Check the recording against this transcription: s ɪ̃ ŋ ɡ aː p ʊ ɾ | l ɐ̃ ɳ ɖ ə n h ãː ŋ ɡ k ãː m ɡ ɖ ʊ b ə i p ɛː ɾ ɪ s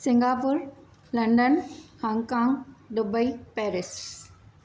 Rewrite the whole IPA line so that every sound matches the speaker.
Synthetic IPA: s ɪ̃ ŋ ɡ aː p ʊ ɾ | l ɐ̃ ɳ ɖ ə n h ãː ŋ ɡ k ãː ŋ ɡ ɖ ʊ b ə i p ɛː ɾ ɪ s